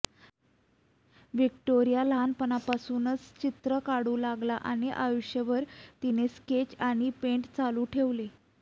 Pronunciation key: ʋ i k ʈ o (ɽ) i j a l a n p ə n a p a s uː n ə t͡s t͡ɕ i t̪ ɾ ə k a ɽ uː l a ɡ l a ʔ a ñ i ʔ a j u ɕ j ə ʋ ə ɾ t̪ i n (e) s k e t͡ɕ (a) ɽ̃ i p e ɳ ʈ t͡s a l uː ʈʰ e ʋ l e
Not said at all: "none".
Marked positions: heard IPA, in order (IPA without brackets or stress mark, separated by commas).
ɾ, e, a